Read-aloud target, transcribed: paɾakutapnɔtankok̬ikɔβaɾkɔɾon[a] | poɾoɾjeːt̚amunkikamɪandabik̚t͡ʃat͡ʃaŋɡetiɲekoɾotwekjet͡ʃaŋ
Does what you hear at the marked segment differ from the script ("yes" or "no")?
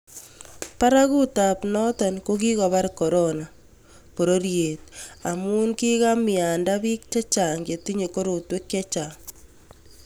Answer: no